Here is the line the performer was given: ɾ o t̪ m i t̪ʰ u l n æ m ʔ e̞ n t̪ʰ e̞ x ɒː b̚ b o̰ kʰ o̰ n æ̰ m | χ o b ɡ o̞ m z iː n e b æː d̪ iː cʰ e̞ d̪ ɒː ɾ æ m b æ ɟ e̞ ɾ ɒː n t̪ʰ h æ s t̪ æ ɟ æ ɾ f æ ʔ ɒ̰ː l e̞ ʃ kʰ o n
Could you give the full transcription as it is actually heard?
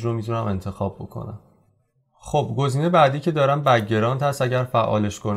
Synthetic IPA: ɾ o m i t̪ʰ u n æ m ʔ e̞ n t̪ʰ e̞ x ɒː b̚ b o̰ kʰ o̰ n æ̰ m | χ o b ɡ o̞ z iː n e b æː d̪ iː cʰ e̞ d̪ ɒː ɾ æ m b æ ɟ e̞ ɾ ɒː n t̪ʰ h æ s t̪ æ ɟ æ ɾ f æ ʔ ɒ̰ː l e̞ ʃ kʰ o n